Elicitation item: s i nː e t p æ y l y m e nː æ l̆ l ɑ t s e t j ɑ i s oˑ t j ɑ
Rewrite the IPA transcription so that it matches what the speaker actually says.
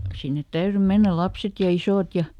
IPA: s i nː e t t æ y r y m e nː æ l̆ l ɑ p s e t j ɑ i s oˑ t j ɑ